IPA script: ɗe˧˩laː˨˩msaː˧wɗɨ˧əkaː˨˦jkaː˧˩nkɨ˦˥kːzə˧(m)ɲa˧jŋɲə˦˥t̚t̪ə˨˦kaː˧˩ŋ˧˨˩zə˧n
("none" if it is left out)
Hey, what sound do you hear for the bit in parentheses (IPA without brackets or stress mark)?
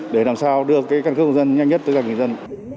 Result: n